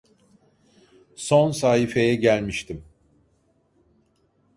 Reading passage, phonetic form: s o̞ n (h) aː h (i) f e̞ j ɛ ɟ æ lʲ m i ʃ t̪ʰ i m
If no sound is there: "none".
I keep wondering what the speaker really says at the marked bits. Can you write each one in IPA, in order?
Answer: s, i

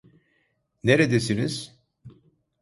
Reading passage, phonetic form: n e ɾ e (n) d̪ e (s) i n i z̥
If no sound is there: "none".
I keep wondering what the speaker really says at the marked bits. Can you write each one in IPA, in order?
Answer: none, s

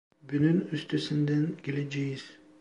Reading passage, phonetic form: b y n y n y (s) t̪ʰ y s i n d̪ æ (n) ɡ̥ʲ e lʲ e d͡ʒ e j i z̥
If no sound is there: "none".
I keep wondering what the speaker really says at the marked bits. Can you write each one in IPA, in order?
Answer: s, n

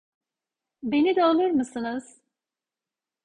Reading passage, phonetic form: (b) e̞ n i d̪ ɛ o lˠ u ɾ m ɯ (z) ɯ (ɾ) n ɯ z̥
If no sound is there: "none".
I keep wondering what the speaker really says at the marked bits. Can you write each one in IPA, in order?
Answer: b, s, none

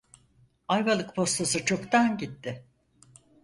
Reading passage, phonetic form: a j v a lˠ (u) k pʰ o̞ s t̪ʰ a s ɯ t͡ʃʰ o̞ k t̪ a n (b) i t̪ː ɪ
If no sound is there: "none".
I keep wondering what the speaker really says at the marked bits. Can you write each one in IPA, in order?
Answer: ɯ, ɟ

